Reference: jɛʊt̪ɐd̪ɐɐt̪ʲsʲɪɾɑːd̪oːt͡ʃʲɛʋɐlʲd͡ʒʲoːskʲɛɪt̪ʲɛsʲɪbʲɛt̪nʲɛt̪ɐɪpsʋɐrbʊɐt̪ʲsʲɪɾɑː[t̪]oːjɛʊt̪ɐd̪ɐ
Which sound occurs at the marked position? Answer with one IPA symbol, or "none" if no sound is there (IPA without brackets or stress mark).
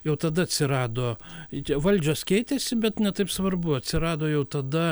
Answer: d̪